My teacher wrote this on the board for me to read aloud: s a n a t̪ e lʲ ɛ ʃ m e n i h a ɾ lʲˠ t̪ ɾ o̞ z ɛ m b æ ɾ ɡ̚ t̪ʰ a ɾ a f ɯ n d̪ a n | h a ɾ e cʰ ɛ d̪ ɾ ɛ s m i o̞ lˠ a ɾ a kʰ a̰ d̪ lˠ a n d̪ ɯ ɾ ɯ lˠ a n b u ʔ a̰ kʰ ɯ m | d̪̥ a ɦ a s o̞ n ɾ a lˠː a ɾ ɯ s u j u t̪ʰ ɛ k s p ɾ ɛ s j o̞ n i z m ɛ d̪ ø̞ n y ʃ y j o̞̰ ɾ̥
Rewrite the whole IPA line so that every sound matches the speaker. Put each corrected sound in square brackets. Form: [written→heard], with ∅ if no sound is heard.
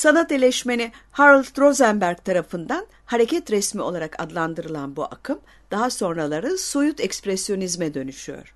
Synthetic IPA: s a n a t̪ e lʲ ɛ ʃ m e n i h a ɾ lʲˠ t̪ ɾ o̞ z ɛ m b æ ɾ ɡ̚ t̪ʰ a ɾ a f ɯ n d̪ a n | h a ɾ e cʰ ɛ [d̪→t̪] ɾ ɛ s m i o̞ lˠ a ɾ a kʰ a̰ d̪ lˠ a n d̪ ɯ ɾ ɯ lˠ a n b u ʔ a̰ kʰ ɯ m | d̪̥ a ɦ a s o̞ n ɾ a [lˠː→lˠ] a ɾ ɯ s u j u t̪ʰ ɛ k s p ɾ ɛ s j o̞ n i z m ɛ d̪ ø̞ n y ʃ y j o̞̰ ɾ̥